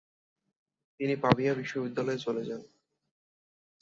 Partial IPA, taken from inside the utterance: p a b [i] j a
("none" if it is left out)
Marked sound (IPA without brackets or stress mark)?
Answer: i